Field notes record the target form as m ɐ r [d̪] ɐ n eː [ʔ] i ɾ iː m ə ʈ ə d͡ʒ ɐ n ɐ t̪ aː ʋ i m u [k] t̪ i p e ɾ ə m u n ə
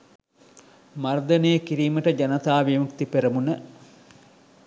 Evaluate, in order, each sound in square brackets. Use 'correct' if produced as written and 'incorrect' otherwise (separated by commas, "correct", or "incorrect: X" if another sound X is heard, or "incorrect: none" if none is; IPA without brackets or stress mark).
correct, incorrect: k, correct